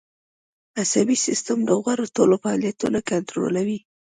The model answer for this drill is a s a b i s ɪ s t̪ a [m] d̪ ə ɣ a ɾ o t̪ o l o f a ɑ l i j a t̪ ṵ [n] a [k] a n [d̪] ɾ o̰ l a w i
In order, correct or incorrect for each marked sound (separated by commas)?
correct, correct, correct, incorrect